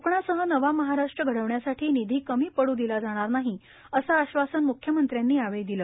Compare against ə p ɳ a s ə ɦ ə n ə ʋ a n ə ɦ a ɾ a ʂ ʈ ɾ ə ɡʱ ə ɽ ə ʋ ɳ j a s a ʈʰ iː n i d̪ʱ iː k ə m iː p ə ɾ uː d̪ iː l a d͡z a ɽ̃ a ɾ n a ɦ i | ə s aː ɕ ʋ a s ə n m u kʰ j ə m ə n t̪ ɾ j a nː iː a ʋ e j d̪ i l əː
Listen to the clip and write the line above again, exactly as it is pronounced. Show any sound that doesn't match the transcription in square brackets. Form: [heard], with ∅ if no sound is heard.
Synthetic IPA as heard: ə p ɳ a s ə ɦ ə n ə ʋ a [m] ə ɦ a ɾ a ʂ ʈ ɾ ə ɡʱ ə ɽ ə ʋ ɳ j a s a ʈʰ iː n i d̪ʱ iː k ə m iː p ə [ɽ] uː d̪ [i] l a d͡z a ɽ̃ a ɾ n a ɦ i | ə s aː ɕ ʋ a s ə n m u kʰ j ə m ə n t̪ ɾ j a nː iː a ʋ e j d̪ i l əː